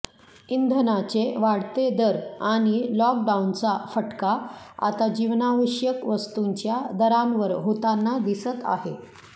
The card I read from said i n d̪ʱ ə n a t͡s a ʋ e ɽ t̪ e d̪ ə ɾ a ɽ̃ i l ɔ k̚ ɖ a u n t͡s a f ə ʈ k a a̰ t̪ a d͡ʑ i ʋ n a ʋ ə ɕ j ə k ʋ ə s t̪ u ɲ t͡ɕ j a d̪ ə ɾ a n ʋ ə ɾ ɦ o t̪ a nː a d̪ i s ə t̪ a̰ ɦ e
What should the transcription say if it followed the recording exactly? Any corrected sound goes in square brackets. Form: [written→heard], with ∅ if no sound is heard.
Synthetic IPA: i n d̪ʱ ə n a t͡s [a→e] ʋ [e→a] ɽ t̪ e d̪ ə ɾ a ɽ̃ i l ɔ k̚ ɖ a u n t͡s a f ə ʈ k a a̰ t̪ a d͡ʑ i ʋ n a ʋ ə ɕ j ə k ʋ ə s t̪ u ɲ t͡ɕ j a d̪ ə ɾ a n ʋ ə ɾ ɦ o t̪ a nː a d̪ i s ə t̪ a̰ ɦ e